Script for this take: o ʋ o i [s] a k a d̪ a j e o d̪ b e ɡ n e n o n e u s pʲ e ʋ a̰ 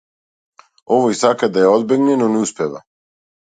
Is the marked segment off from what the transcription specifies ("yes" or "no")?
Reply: no